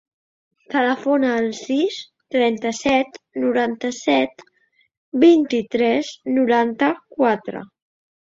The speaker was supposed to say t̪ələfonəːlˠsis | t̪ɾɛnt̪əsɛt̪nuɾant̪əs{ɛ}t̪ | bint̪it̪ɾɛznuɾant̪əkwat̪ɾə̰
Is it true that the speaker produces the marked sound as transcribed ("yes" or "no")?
yes